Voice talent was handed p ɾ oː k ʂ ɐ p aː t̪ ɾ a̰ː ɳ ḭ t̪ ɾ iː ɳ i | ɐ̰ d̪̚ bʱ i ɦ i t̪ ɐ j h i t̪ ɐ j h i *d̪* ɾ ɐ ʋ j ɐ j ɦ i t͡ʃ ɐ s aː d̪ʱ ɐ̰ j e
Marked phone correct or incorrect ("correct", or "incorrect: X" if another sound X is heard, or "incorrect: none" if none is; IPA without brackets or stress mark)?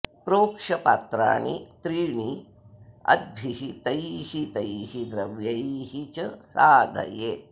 correct